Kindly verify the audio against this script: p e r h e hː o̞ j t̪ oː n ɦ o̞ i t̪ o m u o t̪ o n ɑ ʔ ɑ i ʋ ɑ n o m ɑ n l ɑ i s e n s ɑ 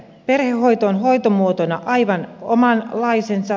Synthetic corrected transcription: p e r h e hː o̞ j t̪ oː n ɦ o̞ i t̪ o m u o t̪ o n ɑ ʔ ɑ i ʋ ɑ n o m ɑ n l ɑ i s e n s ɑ